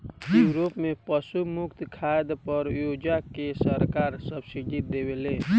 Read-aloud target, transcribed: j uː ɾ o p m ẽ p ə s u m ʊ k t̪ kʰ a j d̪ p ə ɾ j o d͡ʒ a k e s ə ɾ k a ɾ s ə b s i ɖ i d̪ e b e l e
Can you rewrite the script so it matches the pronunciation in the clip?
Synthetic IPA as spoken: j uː ɾ o p m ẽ p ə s u m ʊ k t̪ kʰ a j d̪ p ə ɾ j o d͡ʒ a k e s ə ɾ k a ɾ s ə b s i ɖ i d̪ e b e l e